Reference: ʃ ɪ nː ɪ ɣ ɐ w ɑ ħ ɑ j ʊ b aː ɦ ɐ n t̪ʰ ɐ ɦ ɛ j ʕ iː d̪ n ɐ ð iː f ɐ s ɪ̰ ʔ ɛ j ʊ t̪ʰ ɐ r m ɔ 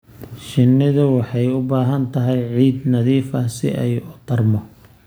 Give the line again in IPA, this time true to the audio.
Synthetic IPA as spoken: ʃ ɪ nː ɪ ð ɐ w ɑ ħ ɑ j ʊ b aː ɦ ɐ n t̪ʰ ɐ ɦ ɛ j ʕ iː d̪ n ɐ ð iː f ɐ s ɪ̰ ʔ ɛ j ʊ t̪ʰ ɐ r m ɔ